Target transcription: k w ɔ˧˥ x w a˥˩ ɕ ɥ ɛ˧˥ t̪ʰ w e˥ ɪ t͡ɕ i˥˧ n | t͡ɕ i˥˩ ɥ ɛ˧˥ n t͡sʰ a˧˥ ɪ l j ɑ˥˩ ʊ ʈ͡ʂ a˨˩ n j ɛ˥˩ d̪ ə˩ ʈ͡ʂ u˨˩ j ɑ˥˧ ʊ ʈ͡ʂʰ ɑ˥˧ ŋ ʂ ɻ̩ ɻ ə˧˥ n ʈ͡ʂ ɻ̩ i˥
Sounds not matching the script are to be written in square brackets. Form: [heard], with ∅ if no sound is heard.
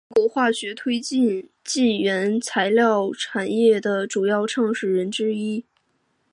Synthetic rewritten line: k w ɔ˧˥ x w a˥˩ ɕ ɥ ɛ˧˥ t̪ʰ w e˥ ɪ t͡ɕ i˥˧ n | t͡ɕ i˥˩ ɥ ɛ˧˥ n t͡sʰ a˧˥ ɪ l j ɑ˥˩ ʊ [ʈ͡ʂʰ] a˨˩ n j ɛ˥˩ d̪ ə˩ ʈ͡ʂ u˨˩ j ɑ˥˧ ʊ ʈ͡ʂʰ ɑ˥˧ ŋ ʂ ɻ̩ ɻ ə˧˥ n ʈ͡ʂ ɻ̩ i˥